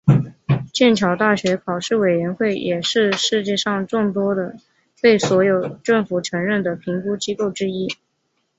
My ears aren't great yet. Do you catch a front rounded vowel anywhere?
no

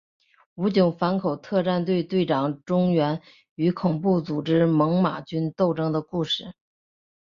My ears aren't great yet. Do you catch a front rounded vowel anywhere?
yes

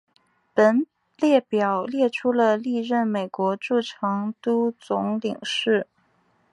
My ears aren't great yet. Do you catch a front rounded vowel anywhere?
no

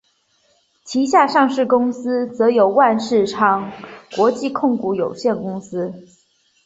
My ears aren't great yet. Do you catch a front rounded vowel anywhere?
no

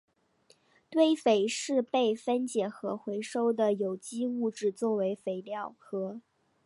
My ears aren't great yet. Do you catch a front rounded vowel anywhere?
no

